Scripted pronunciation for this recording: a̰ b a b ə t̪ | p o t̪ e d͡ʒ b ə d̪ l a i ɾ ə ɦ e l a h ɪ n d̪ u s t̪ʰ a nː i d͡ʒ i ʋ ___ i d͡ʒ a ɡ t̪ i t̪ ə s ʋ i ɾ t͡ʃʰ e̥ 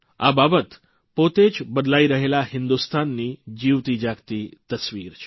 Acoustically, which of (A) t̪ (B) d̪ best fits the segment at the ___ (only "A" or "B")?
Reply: A